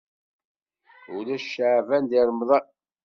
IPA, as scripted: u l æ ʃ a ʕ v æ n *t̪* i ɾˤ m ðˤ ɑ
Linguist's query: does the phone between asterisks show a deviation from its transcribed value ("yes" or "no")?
yes